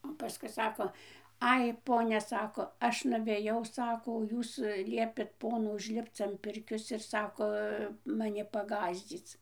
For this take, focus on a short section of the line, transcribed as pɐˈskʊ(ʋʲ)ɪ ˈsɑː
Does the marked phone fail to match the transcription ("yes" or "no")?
yes